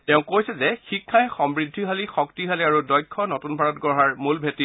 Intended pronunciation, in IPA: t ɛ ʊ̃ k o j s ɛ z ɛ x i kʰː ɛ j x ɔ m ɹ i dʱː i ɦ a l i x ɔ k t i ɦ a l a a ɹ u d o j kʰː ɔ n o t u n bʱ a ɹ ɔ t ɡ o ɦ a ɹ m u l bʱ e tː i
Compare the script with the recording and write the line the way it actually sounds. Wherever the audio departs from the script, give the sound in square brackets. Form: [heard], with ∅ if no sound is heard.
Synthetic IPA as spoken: t ɛ ʊ̃ k o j s ɛ z ɛ x i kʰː [a] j x ɔ m ɹ i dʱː i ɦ a l i x ɔ k t i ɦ a l [i] a ɹ u d [ɔ] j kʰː ɔ n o t u n bʱ a ɹ ɔ t ɡ [ɔ] ɦ a ɹ m u l bʱ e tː i

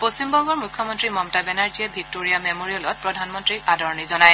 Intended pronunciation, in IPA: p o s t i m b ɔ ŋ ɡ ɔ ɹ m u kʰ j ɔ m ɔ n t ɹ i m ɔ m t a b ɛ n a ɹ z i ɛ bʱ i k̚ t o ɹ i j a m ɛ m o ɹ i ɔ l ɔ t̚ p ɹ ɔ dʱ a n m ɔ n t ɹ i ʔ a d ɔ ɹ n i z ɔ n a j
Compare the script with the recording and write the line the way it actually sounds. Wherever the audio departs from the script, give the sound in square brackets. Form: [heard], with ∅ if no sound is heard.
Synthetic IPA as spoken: p o s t i m b ɔ ŋ ɡ ɔ ɹ m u kʰ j ɔ m ɔ n t ɹ i m ɔ m t a b ɛ n a ɹ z i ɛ bʱ i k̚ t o ɹ i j a m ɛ m o ɹ i ɔ l ɔ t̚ p ɹ ɔ dʱ a n m ɔ n t ɹ i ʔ a d ɔ ɹ n i z ɔ n a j

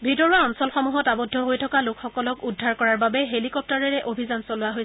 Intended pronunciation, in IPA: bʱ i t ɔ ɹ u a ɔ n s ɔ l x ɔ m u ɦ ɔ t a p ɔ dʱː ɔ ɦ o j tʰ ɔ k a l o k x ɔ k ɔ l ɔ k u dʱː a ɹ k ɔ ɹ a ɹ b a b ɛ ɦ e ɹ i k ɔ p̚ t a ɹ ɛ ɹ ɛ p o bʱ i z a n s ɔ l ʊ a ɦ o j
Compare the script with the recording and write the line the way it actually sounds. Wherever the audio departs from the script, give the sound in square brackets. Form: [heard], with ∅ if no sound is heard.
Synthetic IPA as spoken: bʱ i t ɔ ɹ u a ɔ n s ɔ l x ɔ m u ɦ ɔ t a [b] ɔ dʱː ɔ ɦ o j tʰ ɔ k a l o k x ɔ k ɔ l ɔ k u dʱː a ɹ k ɔ ɹ a ɹ b a b ɛ ɦ e [l] i k ɔ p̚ t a ɹ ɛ ɹ ɛ [ʔ] o bʱ i z a n s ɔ l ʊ a ɦ o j

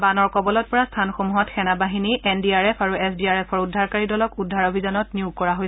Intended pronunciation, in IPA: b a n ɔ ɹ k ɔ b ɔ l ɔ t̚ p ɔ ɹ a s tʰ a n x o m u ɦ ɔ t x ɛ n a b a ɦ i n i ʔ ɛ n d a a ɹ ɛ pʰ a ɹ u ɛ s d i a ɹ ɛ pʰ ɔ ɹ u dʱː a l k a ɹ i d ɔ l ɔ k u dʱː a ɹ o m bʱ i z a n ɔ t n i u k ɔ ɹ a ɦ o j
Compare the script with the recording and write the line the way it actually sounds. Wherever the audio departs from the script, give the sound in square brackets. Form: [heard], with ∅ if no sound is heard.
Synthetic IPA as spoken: b a n ɔ ɹ k ɔ b ɔ l ɔ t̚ p ɔ ɹ a s tʰ a n x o m u ɦ ɔ t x ɛ n a b a ɦ i n i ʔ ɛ n d [i] a ɹ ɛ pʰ a ɹ u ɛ s d i a ɹ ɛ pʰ ɔ ɹ u dʱː a [ɹ] k a ɹ i d ɔ l ɔ k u dʱː a ɹ o [∅] bʱ i z a n ɔ t n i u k ɔ ɹ a ɦ o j

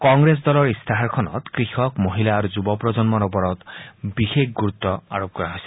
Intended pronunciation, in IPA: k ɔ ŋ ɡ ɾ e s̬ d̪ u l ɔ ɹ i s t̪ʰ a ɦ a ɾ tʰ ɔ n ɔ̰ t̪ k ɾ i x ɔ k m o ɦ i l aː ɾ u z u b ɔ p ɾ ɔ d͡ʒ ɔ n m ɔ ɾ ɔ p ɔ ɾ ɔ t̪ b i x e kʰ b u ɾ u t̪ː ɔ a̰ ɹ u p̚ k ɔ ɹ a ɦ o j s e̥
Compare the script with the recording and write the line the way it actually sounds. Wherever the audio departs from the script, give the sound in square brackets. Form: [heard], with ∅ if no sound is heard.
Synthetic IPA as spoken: k ɔ ŋ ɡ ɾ e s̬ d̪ [ɔ] l ɔ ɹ i s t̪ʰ a ɦ a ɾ [kʰ] ɔ n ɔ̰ t̪ k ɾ i x ɔ k m o ɦ i l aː ɾ u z u b ɔ p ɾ ɔ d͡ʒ ɔ n m ɔ ɾ ɔ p ɔ ɾ ɔ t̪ b i x e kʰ [ɡ] u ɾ u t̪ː ɔ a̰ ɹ [o] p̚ k ɔ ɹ a ɦ o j s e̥

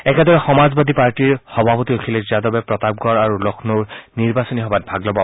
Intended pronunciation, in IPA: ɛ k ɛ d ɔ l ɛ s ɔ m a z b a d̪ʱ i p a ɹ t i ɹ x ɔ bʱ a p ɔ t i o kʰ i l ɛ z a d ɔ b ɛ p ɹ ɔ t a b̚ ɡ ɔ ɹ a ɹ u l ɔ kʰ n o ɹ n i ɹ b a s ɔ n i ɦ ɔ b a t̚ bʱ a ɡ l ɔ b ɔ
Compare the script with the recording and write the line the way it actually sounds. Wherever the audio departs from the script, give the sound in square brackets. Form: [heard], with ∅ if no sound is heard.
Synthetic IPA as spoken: ɛ k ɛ d ɔ [ɹ] ɛ [x] ɔ m a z b a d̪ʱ i p a ɹ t i ɹ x ɔ bʱ a p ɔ t i o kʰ i l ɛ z a d ɔ b ɛ p ɹ ɔ t a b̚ ɡ ɔ ɹ a ɹ u l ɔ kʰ n o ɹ n i ɹ b a s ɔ n i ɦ ɔ b a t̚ bʱ a ɡ l ɔ b ɔ

